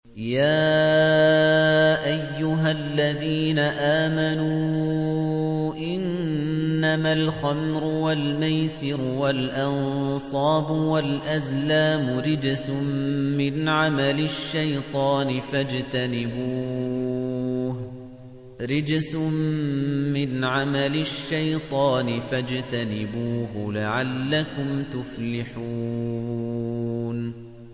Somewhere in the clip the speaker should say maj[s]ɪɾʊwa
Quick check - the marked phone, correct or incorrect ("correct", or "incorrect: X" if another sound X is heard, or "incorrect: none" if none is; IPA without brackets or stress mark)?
correct